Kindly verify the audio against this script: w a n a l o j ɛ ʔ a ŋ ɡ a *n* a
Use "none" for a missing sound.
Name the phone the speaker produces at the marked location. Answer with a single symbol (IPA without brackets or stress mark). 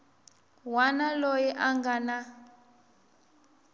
n